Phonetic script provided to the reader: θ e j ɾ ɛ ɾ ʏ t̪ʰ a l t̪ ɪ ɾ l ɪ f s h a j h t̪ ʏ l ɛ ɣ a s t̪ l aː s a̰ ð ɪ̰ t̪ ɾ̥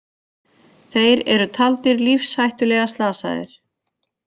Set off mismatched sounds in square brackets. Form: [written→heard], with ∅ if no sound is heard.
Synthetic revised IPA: θ e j ɾ ɛ ɾ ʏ t̪ʰ a l t̪ ɪ ɾ l [ɪ→i] f s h a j h t̪ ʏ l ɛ ɣ a s t̪ l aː s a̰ ð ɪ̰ [t̪→∅] ɾ̥